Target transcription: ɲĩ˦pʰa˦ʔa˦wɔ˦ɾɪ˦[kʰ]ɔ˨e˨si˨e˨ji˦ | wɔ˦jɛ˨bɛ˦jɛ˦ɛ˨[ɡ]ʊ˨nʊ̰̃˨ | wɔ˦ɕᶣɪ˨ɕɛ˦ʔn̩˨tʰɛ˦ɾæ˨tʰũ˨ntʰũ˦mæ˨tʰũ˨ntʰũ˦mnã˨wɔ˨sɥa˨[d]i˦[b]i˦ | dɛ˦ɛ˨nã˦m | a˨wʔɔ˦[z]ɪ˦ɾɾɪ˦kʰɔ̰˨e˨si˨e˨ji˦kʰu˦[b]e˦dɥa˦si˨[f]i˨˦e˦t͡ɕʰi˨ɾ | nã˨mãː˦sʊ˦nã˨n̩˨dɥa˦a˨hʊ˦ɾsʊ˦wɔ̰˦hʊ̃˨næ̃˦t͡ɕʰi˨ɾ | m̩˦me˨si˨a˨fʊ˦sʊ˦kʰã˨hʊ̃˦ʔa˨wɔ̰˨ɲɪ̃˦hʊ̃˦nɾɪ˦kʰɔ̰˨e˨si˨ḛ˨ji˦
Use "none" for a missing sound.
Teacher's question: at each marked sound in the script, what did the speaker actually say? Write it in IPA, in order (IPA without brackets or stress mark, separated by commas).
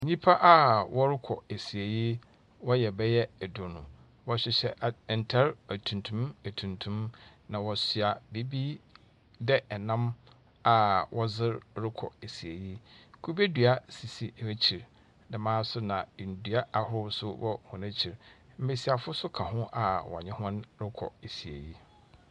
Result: kʰ, d, b, b, z, b, s